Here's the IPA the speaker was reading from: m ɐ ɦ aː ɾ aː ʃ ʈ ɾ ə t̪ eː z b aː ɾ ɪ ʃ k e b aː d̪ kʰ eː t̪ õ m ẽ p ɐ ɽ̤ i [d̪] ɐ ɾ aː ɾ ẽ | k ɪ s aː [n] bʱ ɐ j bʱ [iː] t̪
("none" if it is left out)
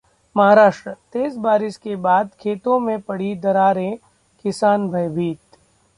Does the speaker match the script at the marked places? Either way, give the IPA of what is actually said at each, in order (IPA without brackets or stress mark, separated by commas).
d̪, n, iː